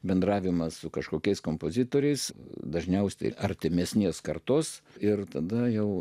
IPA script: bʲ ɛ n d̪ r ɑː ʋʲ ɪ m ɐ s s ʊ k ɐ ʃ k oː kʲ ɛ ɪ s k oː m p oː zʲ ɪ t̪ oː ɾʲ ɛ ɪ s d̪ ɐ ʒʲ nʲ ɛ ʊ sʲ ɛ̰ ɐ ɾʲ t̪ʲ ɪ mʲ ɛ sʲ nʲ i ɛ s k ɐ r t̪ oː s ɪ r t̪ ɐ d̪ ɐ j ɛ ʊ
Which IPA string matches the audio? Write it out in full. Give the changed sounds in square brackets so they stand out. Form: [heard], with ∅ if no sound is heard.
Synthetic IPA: bʲ ɛ n d̪ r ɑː ʋʲ ɪ m ɐ s s ʊ k ɐ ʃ k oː kʲ ɛ ɪ s k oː m p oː zʲ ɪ t̪ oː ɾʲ ɛ ɪ s d̪ ɐ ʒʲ nʲ ɛ ʊ sʲ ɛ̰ ɐ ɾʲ t̪ʲ ɪ mʲ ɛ sʲ nʲ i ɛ s k ɐ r t̪ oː s ɪ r t̪ ɐ d̪ ɐ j ɛ ʊ